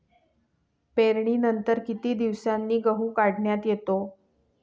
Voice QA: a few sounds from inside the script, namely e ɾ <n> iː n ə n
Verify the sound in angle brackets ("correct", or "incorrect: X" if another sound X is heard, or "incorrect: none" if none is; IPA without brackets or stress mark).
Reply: incorrect: ɳ